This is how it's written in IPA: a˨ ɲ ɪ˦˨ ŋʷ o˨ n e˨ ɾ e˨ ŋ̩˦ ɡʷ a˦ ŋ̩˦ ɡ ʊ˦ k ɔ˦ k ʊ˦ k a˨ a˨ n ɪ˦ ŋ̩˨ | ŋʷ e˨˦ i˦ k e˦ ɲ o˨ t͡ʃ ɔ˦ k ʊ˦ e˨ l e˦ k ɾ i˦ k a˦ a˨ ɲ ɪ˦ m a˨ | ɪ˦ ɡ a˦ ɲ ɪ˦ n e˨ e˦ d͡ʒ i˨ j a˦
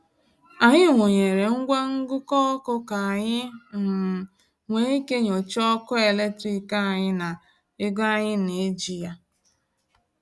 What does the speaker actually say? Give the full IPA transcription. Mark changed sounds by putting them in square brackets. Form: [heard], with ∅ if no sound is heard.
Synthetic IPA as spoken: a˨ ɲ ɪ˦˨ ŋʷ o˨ [ɲ] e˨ ɾ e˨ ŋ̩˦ ɡʷ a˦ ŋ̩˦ ɡ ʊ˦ k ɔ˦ k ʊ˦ k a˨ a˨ [ɲ] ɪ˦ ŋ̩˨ | ŋʷ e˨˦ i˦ k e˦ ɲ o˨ t͡ʃ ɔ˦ k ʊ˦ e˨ l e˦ [t] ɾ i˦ k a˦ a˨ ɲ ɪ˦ [n] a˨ | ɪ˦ ɡ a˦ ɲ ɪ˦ n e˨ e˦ d͡ʒ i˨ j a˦